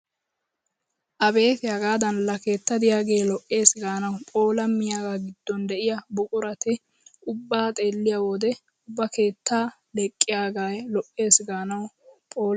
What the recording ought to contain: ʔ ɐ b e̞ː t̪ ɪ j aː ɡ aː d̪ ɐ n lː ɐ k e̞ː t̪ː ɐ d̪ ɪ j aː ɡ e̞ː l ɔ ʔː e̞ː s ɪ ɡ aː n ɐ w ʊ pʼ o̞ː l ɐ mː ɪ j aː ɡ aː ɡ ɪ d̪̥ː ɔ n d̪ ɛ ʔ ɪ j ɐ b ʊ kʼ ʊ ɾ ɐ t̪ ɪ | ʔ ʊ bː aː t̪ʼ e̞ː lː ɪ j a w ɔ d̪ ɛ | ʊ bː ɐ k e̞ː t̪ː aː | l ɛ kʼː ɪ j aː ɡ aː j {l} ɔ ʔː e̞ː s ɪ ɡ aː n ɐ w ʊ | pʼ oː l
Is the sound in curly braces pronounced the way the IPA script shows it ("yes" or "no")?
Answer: yes